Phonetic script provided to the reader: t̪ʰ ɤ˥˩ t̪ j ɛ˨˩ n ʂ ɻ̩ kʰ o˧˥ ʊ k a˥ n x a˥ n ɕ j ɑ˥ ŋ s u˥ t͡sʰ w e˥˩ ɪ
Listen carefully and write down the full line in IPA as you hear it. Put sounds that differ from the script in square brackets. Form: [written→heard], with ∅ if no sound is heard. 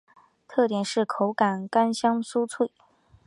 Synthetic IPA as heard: t̪ʰ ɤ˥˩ t̪ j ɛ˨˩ n ʂ ɻ̩ kʰ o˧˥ ʊ k [a˥→a˨˩] n [x→k] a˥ n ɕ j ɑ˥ ŋ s u˥ t͡sʰ w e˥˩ ɪ